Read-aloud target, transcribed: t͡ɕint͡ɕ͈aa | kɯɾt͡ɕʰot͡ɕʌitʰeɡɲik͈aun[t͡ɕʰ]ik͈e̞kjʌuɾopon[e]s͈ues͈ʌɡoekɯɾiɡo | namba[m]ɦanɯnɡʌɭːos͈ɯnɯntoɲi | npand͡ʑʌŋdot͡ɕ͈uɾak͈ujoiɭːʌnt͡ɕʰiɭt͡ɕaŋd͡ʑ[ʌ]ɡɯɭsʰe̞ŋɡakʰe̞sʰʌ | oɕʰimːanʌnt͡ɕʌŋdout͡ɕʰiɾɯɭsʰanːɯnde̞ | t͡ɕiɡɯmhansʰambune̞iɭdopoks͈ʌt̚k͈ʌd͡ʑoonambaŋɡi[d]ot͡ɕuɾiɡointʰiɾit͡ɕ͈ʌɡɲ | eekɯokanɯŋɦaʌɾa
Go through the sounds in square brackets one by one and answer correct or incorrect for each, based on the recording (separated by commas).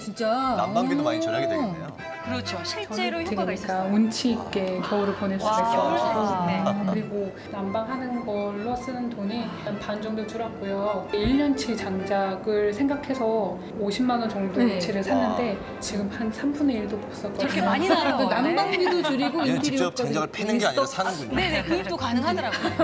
correct, correct, incorrect, incorrect, correct